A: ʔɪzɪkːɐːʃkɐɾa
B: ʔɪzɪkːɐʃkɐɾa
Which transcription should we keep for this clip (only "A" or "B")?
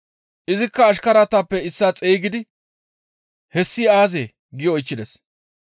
A